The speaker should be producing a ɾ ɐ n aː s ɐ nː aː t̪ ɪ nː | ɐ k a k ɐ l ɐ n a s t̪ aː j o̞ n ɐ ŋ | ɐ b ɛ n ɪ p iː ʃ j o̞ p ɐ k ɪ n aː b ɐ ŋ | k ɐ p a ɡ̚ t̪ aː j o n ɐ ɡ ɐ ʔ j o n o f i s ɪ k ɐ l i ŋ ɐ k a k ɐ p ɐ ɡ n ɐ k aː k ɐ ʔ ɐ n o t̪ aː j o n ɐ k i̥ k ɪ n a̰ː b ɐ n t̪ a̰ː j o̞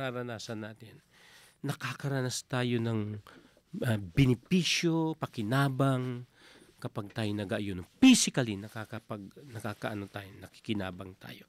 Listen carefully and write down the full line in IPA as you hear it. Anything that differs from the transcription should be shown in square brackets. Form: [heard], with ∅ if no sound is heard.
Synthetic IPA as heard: a ɾ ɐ n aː s ɐ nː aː t̪ ɪ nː | ɐ k a k ɐ [ɾ] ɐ n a s t̪ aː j o̞ n ɐ ŋ | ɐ b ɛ n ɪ p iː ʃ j o̞ p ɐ k ɪ n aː b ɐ ŋ | k ɐ p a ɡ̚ t̪ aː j o n ɐ ɡ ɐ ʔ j o n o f i s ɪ k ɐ l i [n] ɐ k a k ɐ p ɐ ɡ n ɐ k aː k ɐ ʔ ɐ n o t̪ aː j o n ɐ k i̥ k ɪ n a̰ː b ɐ [ŋ] t̪ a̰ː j o̞